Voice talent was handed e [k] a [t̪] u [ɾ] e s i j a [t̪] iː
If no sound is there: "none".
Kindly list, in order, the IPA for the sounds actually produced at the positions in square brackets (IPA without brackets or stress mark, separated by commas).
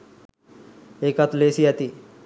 k, t̪, l, t̪